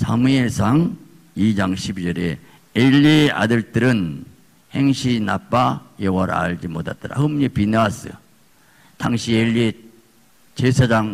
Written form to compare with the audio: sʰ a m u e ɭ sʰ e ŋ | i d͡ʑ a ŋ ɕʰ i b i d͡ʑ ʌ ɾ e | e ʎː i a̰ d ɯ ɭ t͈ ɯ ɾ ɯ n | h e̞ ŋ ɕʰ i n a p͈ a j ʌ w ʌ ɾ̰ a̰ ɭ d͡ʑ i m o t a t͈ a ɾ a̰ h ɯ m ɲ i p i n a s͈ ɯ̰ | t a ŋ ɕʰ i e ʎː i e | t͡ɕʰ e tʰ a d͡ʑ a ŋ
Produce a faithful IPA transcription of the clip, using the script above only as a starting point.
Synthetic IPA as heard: sʰ a m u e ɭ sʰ a ŋ | i d͡ʑ a ŋ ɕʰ i b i d͡ʑ ʌ ɾ e | e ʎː i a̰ d ɯ ɭ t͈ ɯ ɾ ɯ n | h e̞ ŋ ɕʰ i n a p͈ a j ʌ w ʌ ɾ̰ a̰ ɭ d͡ʑ i m o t a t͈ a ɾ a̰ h ɯ m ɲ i p i n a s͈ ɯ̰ | t a ŋ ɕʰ i e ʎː i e | t͡ɕ e sʰ a d͡ʑ a ŋ

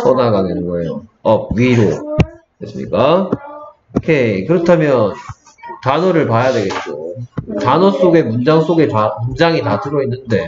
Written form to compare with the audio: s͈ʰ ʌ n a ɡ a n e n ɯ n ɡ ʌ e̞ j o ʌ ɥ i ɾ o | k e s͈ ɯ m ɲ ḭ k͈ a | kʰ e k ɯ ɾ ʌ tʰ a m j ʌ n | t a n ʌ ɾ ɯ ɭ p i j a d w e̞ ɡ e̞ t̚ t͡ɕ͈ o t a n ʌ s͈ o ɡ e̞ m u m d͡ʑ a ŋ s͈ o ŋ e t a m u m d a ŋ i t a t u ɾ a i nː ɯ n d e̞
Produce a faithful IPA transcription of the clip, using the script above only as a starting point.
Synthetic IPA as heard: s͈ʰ ʌ n a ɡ a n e n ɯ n ɡ ʌ e̞ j o ʌ ɥ i ɾ o | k e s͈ ɯ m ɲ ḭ k͈ a | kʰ e k ɯ ɾ ʌ tʰ a m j ʌ n | t a n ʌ ɾ ɯ ɭ p a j a d w e̞ ɡ e̞ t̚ t͡ɕ͈ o t a n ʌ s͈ o ɡ e̞ m u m d͡ʑ a ŋ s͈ o ɡ e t a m u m d͡ʑ a ŋ i t a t ɯ ɾ ʌ i nː ɯ n d e̞

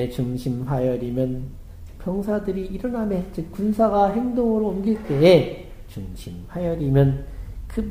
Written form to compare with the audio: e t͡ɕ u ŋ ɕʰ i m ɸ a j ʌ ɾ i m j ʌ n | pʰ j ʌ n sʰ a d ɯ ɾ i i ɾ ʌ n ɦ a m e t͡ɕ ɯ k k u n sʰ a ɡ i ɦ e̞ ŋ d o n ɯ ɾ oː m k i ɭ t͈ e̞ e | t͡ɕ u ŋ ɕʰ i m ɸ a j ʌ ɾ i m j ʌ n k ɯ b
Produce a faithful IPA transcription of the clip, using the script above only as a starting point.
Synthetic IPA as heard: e t͡ɕ u ŋ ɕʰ i m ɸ a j ʌ ɾ i m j ʌ n | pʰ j ʌ ŋ sʰ a d ɯ ɾ i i ɾ ʌ n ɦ a m e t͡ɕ ɯ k k u n sʰ a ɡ a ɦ e̞ ŋ d o ŋ ɯ ɾ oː m ɡ i ɭ t͈ e̞ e | t͡ɕ u ŋ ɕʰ i m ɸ a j ʌ ɾ i m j ʌ n k ɯ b

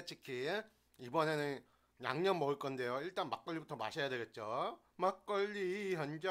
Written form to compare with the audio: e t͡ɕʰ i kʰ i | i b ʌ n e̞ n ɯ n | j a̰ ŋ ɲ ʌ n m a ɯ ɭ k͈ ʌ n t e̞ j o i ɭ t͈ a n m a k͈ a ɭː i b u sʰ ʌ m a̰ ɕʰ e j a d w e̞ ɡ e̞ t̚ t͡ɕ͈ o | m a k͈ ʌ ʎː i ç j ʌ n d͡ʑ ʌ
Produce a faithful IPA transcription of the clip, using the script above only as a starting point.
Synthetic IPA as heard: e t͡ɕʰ i kʰ i | i b ʌ n e̞ n ɯ n | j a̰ ŋ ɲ ʌ n m ʌ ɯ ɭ k͈ ʌ n d e̞ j o i ɭ t͈ a n m a k͈ ʌ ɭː i b u tʰ ʌ m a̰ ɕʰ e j a d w e̞ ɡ e̞ t̚ t͡ɕ͈ o | m a k͈ ʌ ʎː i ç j ʌ n d͡ʑ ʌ

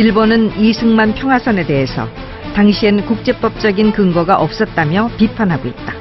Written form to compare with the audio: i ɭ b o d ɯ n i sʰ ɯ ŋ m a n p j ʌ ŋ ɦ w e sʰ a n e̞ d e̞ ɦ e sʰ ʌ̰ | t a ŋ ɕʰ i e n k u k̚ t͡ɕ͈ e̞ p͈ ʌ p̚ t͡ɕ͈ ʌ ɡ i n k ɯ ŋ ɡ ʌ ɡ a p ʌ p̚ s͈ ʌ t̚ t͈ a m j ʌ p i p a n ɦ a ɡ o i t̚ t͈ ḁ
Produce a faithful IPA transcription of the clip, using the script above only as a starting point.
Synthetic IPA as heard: i ɭ b o n ɯ n i sʰ ɯ ŋ m a n pʰ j ʌ ŋ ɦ w a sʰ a n e̞ d e̞ ɦ e sʰ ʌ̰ | t a ŋ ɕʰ i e n k u k̚ t͡ɕ͈ e̞ p͈ ʌ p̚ t͡ɕ͈ ʌ ɡ i n k ɯ ŋ ɡ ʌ ɡ a ʔ ʌ p̚ s͈ ʌ t̚ t͈ a m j ʌ p i pʰ a n ɦ a ɡ o i t̚ t͈ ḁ

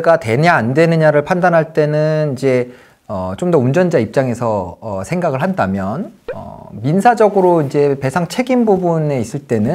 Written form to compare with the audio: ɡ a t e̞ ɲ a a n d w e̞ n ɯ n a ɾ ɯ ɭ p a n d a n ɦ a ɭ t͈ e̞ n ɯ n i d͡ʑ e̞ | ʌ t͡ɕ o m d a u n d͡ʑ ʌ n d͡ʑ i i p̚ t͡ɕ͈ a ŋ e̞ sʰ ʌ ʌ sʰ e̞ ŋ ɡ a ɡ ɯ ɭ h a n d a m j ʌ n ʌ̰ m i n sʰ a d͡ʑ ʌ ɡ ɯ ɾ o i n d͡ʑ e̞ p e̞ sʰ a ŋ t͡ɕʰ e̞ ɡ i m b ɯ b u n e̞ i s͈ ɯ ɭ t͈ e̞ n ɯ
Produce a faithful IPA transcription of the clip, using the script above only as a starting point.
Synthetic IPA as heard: ɡ a t e̞ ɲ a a n d w e̞ n ɯ ɲ a ɾ ɯ ɭ pʰ a n d a n ɦ a ɭ t͈ e̞ n ɯ n i d͡ʑ e̞ | ʌ t͡ɕ o m d ʌ u n d͡ʑ ʌ n d͡ʑ a i p̚ t͡ɕ͈ a ŋ e̞ sʰ ʌ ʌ sʰ e̞ ŋ ɡ a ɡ ɯ ɭ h a n d a m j ʌ n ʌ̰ m i n sʰ a d͡ʑ ʌ ɡ ɯ ɾ o i n d͡ʑ e̞ p e̞ sʰ a ŋ t͡ɕʰ e̞ ɡ i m b u b u n e̞ i s͈ ɯ ɭ t͈ e̞ n ɯ

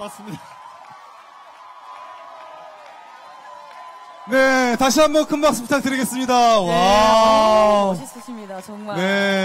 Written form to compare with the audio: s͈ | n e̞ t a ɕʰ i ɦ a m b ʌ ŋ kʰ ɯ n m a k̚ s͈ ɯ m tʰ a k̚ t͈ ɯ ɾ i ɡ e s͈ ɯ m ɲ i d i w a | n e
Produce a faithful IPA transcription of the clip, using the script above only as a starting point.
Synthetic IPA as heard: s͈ | n e̞ t a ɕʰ i ɦ a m b ʌ n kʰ ɯ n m a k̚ s͈ ɯ m tʰ a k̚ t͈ ɯ ɾ i ɡ e s͈ ɯ m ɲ i d a w a | n e

